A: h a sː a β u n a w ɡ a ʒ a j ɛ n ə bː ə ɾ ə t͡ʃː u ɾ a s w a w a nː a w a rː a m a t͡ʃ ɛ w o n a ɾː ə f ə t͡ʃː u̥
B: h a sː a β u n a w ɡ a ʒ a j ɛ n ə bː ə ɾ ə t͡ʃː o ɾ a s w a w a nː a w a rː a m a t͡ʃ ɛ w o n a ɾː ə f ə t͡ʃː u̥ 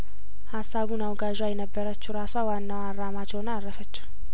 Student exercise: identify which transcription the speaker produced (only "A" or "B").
A